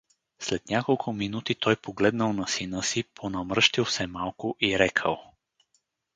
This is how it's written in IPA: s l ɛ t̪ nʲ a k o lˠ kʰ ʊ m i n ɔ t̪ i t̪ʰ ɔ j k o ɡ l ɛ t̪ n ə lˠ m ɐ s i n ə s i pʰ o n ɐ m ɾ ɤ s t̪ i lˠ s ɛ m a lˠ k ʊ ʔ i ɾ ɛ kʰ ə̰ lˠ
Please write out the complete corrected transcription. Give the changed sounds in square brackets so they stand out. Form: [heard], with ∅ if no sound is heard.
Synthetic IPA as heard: s l ɛ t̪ nʲ a k o lˠ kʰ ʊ m i n [u] t̪ i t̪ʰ ɔ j [p] o ɡ l ɛ [d̪] n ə lˠ [n] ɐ s i n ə s i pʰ o n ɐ m ɾ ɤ [ʃ] t̪ i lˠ s ɛ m a lˠ k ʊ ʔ i ɾ ɛ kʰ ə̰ lˠ